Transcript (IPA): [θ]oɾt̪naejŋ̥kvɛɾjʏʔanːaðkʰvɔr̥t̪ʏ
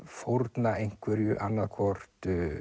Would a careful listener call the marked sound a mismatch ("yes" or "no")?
yes